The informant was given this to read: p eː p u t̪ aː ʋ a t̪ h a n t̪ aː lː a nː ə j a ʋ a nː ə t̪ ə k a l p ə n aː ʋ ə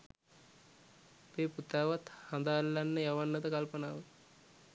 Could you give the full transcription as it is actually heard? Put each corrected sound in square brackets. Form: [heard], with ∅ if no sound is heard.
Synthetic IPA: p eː p u t̪ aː ʋ a t̪ h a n [d̪] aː lː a nː ə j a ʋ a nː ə t̪ ə k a l p ə n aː ʋ ə